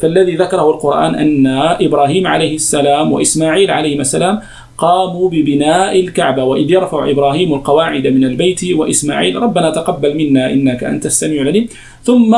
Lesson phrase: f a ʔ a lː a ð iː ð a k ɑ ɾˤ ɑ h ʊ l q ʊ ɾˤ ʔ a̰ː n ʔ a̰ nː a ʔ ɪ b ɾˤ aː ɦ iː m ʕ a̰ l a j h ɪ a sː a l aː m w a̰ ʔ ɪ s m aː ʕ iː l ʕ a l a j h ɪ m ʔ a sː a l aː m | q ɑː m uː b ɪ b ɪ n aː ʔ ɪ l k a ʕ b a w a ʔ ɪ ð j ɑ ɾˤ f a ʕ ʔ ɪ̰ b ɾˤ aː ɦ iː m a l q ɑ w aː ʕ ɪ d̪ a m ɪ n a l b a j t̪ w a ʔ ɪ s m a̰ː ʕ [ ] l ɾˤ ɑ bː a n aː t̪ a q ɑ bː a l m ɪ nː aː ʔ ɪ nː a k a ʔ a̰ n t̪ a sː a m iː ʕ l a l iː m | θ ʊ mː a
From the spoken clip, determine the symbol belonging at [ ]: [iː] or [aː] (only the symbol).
iː